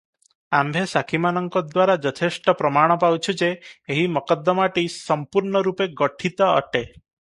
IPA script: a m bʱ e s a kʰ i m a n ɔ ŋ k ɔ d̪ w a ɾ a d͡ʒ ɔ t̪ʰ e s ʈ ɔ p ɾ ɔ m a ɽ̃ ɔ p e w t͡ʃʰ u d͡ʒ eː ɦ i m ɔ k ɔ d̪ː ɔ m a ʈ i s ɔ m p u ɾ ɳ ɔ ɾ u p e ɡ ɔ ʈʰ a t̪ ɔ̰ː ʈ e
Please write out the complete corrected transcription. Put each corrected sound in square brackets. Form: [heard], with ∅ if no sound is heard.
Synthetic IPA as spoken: a m bʱ e s a kʰ i m a n ɔ ŋ k ɔ d̪ w a ɾ a d͡ʒ ɔ t̪ʰ e s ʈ ɔ p ɾ ɔ m a ɽ̃ ɔ p [a] w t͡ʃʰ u d͡ʒ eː ɦ i m ɔ k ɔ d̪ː ɔ m a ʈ i s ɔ m p u ɾ ɳ ɔ ɾ u p e ɡ ɔ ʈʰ [i] t̪ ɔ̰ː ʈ e